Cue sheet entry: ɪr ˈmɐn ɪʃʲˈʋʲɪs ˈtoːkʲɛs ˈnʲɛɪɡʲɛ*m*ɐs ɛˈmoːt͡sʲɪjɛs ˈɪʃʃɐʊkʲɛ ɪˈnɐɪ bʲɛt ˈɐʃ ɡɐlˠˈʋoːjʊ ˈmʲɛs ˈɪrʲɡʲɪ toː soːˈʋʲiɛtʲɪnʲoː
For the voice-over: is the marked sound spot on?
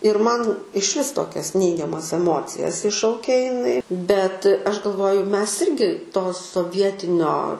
yes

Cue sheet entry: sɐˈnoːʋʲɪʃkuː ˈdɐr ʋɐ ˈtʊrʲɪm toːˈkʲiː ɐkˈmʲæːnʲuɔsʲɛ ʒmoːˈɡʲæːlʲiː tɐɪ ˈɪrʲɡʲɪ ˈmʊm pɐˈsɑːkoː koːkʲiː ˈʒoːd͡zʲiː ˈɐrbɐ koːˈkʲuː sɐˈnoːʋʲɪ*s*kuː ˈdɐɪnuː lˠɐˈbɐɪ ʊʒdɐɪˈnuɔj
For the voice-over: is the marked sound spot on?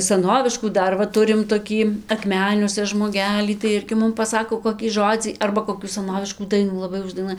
no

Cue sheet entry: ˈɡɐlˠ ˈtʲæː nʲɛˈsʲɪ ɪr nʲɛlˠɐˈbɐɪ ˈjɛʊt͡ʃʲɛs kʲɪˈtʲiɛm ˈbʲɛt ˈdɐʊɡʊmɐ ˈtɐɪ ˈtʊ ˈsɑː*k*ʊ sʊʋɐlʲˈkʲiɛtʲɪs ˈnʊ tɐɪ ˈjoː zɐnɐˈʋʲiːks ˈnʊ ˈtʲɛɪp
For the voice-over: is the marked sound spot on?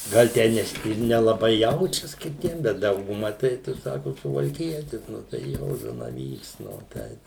yes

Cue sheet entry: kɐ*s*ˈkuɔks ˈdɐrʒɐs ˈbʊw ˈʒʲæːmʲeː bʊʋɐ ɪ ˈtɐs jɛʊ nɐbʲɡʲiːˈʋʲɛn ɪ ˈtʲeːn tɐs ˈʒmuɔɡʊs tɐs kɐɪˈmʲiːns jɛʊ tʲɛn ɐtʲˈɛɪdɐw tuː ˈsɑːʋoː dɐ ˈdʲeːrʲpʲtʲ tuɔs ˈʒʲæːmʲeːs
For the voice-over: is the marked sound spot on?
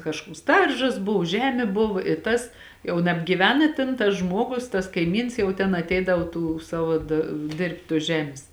no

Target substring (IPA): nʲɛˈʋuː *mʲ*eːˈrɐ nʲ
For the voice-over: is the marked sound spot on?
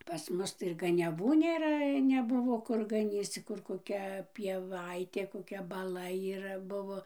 no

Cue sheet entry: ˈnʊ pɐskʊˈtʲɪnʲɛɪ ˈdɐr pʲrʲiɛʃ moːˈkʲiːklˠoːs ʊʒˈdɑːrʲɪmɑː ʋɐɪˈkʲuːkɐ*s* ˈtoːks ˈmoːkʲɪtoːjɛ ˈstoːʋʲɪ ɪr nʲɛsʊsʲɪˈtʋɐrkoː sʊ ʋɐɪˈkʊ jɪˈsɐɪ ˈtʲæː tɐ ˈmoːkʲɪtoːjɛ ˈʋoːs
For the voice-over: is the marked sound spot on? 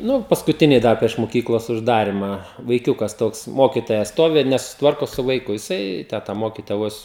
yes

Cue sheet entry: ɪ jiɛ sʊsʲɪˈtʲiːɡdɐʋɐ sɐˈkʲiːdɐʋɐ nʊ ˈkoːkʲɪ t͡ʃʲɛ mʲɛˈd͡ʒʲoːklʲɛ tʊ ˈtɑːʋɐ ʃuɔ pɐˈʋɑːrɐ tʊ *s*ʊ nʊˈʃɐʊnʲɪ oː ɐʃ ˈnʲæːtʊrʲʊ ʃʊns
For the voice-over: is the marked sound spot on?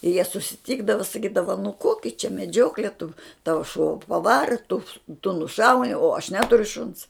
no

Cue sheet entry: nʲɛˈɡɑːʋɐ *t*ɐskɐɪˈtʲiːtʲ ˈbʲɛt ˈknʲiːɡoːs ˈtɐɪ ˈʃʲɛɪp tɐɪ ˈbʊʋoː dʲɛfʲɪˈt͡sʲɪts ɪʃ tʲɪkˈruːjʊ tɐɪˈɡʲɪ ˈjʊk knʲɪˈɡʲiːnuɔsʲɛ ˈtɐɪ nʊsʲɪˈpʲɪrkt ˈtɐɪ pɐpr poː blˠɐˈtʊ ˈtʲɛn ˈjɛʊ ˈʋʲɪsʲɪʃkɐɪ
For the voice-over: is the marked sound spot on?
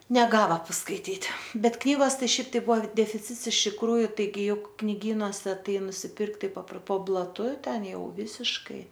no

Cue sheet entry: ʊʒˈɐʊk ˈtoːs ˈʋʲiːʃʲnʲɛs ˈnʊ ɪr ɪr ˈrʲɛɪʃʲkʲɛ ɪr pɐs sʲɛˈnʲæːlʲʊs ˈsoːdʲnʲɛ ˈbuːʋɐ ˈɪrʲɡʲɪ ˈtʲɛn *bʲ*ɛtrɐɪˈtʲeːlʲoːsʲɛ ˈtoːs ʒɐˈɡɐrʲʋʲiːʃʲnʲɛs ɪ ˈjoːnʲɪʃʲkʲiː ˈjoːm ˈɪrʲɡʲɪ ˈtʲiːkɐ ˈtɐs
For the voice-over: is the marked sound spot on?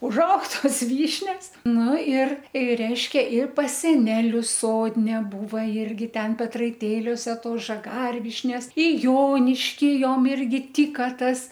no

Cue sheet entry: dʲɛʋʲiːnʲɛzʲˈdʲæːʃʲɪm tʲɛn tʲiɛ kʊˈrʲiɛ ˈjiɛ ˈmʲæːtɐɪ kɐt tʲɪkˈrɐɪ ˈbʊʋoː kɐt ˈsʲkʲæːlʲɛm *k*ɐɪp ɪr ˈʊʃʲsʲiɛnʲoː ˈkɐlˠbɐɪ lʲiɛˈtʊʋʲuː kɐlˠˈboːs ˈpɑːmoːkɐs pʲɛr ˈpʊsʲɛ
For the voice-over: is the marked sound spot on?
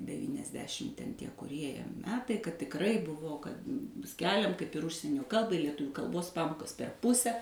yes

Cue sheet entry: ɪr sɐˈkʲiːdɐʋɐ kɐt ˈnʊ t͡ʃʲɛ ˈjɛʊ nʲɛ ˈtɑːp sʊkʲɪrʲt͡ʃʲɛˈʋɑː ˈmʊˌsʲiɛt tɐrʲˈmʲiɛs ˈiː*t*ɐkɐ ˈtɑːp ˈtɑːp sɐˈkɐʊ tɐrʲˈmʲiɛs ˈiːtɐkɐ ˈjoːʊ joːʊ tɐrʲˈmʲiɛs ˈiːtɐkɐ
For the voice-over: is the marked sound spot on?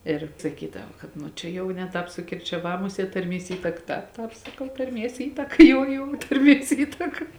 yes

